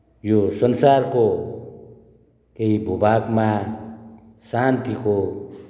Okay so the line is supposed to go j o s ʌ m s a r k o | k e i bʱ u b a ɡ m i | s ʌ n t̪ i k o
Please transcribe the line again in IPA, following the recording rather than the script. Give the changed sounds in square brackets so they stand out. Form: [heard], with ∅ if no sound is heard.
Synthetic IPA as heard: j o s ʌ [n] s a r k o | k e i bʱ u b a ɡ m [a] | s [a] n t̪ i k o